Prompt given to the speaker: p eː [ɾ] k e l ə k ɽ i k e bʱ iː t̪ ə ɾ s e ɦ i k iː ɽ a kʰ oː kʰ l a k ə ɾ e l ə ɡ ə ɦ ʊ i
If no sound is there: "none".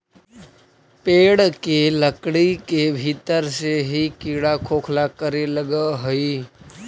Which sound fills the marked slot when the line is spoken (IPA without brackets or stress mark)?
ɽ